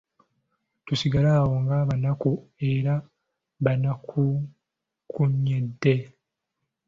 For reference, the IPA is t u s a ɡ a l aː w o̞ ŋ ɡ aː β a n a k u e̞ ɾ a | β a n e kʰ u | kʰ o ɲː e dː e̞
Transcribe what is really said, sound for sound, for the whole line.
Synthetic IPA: t u s i ɡ a l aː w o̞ ŋ ɡ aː β a n a k u e̞ ɾ a | β a n a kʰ u | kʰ u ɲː e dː e̞

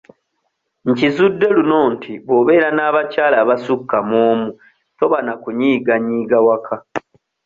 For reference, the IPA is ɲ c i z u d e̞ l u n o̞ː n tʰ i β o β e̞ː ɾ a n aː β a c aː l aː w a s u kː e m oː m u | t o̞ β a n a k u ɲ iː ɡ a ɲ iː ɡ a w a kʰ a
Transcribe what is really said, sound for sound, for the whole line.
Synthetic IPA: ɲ c i z u dː e̞ l u n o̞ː n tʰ i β o β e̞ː ɾ a n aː β a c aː l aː β a s u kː a m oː m u | t o̞ β a n a k u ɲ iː ɡ a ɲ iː ɡ a w a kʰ a

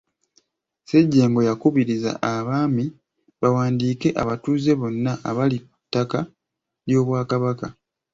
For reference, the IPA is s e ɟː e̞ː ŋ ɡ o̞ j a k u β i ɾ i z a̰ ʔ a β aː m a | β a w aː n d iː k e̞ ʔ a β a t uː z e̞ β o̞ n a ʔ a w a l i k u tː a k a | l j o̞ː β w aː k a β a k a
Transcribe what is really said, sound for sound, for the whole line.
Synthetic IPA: s e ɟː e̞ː ŋ ɡ o̞ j a k u β i ɾ i z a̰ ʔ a β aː m i | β a w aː n d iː k e̞ ʔ a β a t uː z e̞ β o̞ nː a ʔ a β a l i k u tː a k a | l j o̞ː β w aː k a β a k a

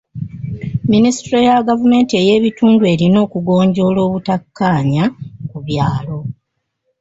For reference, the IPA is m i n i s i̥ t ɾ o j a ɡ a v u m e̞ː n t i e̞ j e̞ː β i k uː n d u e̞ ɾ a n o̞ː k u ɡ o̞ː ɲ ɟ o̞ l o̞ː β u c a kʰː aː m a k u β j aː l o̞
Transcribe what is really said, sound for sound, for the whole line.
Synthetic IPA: m i n i s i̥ t ɾ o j a ɡ a v u m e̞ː n t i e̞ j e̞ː β i t uː n d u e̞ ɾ i n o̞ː k u ɡ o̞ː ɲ ɟ o̞ l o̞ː β u t a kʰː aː ɲ a k u β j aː l o̞

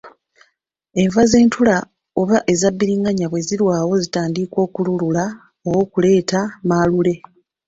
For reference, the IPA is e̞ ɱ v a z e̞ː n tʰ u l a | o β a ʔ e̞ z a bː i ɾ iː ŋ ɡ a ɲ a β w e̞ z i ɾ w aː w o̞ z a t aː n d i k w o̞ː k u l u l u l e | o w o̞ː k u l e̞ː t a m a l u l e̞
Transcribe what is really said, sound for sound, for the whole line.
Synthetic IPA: e̞ ɱ v a z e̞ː n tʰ u l a | o β a ʔ e̞ z a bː i ɾ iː ŋ ɡ a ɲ a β w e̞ z i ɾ w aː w o̞ z i t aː n d i k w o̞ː k u l u l u l a | o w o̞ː k u l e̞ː t a m a l u l e̞

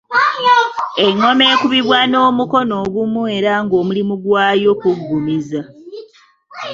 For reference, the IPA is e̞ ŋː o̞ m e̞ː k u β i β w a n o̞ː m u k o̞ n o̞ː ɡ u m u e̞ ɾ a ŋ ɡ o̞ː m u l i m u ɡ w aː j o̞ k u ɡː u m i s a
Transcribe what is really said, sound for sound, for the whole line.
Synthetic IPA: e̞ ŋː o̞ m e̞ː k u β i β w a n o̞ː m u k o̞ n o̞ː ɡ u m u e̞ ɾ a ŋ ɡ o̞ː m u l i m u ɡ w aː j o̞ k u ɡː u m i z a

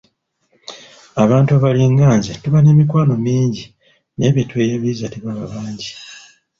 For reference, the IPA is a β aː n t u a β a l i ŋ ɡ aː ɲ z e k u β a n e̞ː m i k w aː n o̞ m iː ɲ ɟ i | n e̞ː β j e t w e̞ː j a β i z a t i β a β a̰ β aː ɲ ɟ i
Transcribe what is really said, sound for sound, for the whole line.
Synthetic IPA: a β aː n t u a β a l i ŋ ɡ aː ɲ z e t u β a n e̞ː m i k w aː n o̞ m iː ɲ ɟ i | n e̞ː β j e t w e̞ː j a β i z a t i β a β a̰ β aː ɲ ɟ i

